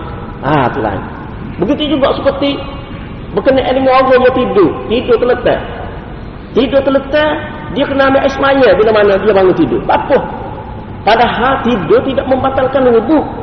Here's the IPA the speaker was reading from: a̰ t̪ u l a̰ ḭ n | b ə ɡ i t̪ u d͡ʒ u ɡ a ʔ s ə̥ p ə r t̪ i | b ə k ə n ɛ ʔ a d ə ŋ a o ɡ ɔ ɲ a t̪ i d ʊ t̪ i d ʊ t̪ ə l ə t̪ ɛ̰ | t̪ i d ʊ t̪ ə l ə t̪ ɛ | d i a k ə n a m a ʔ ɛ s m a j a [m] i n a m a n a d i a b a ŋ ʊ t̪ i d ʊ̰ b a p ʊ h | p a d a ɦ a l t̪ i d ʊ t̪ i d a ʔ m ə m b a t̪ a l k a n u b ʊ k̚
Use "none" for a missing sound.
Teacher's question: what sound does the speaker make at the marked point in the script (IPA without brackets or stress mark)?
b